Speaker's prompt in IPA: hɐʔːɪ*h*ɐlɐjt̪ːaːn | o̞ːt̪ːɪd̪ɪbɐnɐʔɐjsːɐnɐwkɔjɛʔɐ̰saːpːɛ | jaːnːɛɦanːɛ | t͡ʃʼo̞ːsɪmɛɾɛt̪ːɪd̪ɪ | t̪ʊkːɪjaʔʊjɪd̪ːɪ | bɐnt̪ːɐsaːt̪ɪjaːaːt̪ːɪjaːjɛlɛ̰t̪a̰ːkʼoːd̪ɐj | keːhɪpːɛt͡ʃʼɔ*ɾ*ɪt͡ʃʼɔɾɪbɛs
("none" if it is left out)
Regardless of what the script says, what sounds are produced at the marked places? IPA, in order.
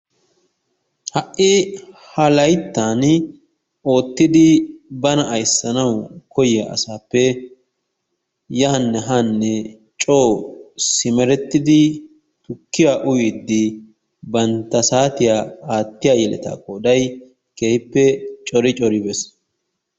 h, ɾ

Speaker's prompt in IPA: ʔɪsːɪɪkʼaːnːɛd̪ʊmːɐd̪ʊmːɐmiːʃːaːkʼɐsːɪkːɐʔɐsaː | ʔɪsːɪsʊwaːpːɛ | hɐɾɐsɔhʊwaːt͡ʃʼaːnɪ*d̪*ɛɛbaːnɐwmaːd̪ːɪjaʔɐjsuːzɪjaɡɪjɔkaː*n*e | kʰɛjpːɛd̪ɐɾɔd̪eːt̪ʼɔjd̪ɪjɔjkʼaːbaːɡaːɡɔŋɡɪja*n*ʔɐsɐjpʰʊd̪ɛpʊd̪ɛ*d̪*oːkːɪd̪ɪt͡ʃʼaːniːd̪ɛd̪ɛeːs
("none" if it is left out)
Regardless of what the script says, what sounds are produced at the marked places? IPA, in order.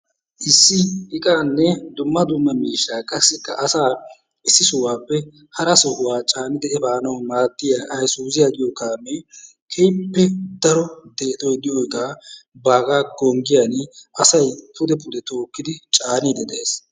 d̪, m, n, t̪

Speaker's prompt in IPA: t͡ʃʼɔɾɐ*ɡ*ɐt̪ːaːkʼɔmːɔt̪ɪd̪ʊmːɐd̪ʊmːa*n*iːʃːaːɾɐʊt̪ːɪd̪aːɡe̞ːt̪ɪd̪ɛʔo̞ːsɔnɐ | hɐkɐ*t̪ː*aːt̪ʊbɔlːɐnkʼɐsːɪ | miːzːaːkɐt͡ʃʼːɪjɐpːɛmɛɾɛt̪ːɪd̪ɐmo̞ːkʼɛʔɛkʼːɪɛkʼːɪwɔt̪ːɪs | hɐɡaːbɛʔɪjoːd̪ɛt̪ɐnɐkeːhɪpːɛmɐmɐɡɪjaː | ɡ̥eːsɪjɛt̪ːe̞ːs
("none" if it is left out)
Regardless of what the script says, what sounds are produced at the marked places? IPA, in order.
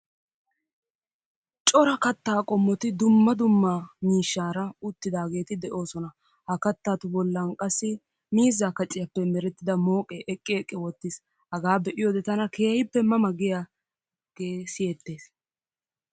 k, m, t̪ː

